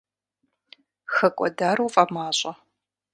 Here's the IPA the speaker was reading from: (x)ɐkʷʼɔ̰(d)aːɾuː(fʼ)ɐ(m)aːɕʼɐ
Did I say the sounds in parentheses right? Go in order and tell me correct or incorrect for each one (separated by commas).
correct, correct, correct, correct